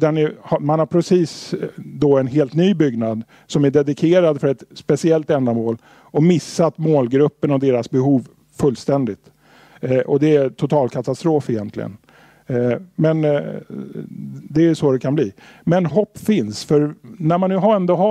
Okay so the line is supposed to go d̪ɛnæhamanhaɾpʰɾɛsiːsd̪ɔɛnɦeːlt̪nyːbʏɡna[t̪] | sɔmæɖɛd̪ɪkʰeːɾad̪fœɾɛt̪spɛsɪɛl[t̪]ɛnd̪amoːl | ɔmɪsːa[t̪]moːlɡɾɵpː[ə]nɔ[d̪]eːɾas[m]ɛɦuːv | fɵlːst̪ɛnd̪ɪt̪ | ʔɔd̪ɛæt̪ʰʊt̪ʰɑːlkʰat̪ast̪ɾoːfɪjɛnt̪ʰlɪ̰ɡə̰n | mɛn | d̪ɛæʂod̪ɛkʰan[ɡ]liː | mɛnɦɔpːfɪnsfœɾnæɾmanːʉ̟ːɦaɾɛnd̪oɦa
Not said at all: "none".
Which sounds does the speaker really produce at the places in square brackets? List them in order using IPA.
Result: d̪, t̪, t̪, ə, d̪, b, b

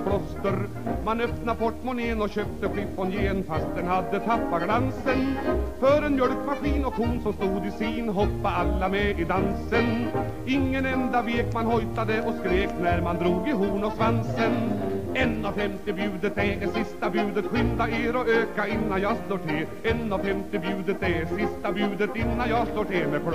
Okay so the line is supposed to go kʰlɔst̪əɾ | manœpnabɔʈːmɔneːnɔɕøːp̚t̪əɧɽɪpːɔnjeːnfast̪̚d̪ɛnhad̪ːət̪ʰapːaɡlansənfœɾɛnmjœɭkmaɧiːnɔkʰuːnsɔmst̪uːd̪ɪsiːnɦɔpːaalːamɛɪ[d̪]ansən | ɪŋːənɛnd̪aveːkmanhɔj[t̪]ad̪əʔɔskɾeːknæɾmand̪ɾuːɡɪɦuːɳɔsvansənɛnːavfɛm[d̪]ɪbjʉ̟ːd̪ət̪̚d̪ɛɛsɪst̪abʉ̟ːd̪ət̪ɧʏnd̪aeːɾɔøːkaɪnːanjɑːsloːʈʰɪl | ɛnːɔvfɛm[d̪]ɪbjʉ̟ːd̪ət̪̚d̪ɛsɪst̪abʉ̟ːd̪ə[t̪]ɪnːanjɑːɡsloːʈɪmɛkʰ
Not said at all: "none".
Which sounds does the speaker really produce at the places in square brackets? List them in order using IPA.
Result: d̪, t̪, t̪, t̪, t̪

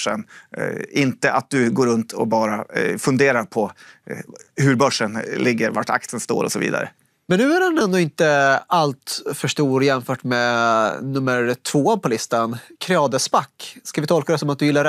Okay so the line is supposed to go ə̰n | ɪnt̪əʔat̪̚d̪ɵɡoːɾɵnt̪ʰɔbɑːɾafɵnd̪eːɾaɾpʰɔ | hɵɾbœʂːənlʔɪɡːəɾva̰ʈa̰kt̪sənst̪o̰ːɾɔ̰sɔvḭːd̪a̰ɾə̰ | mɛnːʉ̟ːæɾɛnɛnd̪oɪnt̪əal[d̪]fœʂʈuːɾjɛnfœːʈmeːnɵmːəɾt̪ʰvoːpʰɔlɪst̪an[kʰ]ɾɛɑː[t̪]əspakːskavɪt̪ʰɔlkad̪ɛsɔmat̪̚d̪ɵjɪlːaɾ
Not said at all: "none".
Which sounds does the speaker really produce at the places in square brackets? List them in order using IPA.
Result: t̪, kʰ, d̪

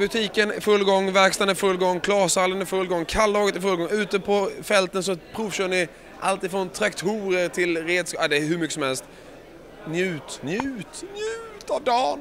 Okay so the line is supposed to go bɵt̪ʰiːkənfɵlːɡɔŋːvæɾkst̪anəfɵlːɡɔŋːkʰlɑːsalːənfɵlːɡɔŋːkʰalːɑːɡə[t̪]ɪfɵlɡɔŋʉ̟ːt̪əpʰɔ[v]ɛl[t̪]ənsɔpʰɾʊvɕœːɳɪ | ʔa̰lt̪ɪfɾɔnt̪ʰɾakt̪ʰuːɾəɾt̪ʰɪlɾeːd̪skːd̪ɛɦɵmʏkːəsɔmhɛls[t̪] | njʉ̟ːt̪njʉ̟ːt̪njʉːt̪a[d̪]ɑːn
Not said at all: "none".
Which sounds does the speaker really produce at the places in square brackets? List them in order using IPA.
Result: t̪, f, t̪, t̪, d̪

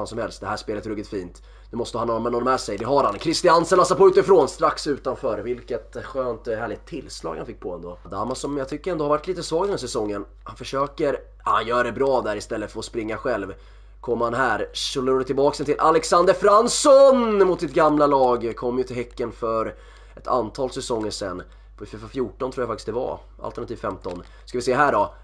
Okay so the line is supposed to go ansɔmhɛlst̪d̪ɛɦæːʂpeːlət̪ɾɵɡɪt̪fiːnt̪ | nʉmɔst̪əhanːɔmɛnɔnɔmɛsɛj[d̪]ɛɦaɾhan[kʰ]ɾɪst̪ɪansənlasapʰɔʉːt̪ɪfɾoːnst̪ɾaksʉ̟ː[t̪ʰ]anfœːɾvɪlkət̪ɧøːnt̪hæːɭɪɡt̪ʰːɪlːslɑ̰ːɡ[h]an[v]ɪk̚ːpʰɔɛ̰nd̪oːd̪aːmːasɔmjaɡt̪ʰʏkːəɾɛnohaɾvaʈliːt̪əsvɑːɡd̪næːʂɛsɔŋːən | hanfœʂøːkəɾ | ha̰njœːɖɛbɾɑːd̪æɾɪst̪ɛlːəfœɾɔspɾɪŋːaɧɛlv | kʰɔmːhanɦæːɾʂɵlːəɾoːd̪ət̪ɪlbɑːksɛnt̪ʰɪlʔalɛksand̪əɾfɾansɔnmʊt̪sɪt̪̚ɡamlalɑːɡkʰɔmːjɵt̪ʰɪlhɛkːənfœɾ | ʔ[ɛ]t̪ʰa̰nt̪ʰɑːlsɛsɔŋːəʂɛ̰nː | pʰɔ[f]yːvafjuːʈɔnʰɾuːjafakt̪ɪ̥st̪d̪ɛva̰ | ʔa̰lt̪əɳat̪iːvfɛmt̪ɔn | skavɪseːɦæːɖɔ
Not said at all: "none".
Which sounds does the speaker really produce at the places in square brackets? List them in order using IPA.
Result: d̪, kʰ, t̪, h, f, ɛ, f

